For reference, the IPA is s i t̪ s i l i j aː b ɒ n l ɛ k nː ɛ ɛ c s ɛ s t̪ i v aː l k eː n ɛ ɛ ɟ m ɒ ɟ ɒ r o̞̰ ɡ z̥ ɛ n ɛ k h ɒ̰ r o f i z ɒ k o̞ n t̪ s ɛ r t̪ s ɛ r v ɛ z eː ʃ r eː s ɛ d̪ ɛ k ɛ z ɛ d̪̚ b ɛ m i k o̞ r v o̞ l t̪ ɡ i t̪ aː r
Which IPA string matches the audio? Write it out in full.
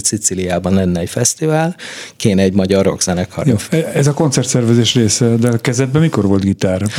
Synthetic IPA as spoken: s i t̪ s i l i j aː b ɒ n l ɛ nː ɛ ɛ c f ɛ s t̪ i v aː l k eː n ɛ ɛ ɟ m ɒ ɟ ɒ r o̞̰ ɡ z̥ ɛ n ɛ k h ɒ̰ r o f ɛ z ɒ k o̞ n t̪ s ɛ r t̪ s ɛ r v ɛ z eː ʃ r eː s ɛ d̪ ɛ k ɛ z ɛ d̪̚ b ɛ m i k o̞ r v o̞ l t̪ ɡ i t̪ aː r